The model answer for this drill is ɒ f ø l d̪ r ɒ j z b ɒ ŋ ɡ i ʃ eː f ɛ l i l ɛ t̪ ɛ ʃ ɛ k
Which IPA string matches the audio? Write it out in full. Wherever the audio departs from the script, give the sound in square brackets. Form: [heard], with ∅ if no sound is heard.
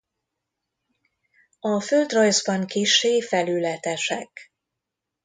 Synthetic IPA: ɒ f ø l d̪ r ɒ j z b ɒ ŋ [k] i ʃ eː f ɛ l [y] l ɛ t̪ ɛ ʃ ɛ k